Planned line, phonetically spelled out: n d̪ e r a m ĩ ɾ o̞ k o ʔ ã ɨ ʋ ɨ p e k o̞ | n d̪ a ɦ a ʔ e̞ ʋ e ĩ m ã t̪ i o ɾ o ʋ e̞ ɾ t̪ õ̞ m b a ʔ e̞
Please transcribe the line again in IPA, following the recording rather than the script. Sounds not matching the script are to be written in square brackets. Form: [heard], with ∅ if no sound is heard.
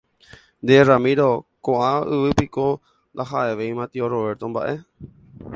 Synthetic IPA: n d̪ e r a m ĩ ɾ o̞ k o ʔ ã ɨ ʋ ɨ p [i] k o̞ | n d̪ a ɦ a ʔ e̞ ʋ e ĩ m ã t̪ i o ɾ o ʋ e̞ ɾ t̪ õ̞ m b a ʔ e̞